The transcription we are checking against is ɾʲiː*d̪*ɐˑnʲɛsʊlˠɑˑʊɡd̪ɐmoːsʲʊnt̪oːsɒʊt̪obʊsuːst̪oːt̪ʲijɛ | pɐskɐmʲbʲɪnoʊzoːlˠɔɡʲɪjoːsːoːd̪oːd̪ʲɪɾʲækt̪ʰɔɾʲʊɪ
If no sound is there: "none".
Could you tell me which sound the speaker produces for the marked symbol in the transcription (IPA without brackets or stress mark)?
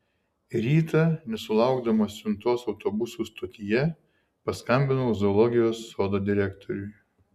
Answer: t̪